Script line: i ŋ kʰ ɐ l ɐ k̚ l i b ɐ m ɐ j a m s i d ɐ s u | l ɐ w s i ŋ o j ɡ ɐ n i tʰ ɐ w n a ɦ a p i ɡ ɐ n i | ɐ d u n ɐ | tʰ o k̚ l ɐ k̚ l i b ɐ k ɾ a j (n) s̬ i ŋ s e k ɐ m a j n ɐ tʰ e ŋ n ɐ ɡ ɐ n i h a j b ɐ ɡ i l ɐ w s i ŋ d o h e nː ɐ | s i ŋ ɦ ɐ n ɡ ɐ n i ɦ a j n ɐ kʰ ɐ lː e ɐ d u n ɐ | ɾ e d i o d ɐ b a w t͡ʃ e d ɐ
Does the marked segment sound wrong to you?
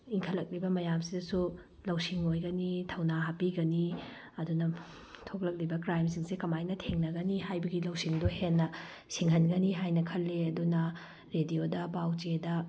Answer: yes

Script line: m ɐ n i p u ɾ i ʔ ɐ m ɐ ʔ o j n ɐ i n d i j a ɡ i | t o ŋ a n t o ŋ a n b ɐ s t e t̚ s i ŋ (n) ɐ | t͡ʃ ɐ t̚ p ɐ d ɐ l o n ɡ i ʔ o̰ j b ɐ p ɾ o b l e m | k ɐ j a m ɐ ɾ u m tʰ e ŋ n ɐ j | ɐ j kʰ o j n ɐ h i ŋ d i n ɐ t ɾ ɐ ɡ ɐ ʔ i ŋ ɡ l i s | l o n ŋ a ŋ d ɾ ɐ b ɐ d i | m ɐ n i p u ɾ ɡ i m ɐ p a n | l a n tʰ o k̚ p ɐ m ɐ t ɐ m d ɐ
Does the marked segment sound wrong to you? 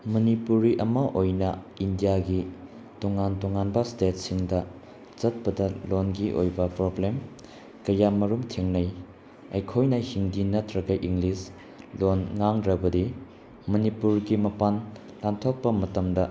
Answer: yes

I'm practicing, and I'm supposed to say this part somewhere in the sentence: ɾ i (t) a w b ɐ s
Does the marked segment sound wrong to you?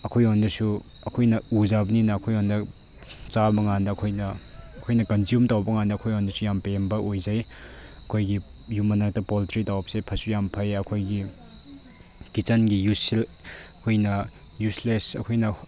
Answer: no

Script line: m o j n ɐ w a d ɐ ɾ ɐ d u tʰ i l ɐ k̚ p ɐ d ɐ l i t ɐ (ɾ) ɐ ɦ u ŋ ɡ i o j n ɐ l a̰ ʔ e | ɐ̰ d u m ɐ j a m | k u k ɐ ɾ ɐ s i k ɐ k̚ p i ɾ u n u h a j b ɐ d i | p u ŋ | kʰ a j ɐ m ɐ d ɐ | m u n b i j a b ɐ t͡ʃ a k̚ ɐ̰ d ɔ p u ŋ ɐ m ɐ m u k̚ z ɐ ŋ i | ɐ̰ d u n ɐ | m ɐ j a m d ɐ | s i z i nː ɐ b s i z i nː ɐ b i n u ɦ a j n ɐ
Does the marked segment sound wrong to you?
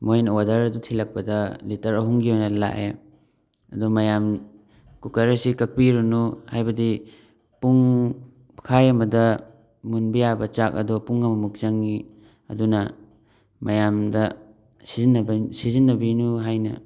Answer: no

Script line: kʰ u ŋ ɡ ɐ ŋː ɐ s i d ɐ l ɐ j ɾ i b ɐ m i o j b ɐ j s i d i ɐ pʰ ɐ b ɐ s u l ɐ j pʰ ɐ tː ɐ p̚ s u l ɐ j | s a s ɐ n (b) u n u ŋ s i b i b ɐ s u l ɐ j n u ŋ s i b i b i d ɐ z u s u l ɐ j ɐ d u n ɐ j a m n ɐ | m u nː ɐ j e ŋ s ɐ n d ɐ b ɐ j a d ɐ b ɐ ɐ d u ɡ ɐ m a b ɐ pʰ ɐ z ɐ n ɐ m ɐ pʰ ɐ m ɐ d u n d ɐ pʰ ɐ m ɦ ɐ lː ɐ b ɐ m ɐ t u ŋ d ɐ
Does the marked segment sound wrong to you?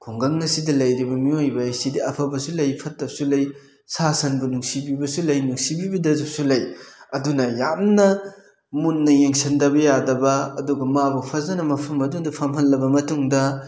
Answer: no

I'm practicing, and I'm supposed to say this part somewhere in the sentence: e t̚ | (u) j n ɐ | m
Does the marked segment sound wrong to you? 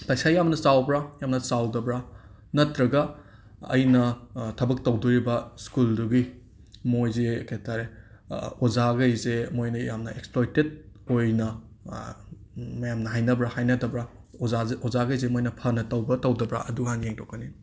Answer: yes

